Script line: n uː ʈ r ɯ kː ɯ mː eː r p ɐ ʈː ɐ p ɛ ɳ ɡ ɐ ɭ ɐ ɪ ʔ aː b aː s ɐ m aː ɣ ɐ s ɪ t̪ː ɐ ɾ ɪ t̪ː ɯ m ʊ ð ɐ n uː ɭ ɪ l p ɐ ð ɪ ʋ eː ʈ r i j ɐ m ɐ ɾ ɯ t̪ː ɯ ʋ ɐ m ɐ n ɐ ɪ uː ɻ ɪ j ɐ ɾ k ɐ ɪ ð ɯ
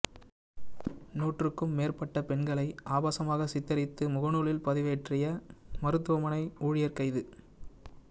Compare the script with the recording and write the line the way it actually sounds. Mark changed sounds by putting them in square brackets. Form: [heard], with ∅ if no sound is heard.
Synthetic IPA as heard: n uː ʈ r ɯ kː ɯ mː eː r p ɐ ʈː ɐ p ɛ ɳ ɡ ɐ ɭ ɐ ɪ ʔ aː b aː s ɐ m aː ɣ ɐ s ɪ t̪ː ɐ ɾ ɪ t̪ː ɯ m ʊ [ɣ] ɐ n uː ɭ ɪ l p ɐ ð ɪ ʋ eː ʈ r [ɪ] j ɐ m ɐ ɾ ɯ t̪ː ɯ ʋ ɐ m ɐ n ɐ ɪ uː ɻ ɪ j ɐ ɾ k ɐ ɪ ð ɯ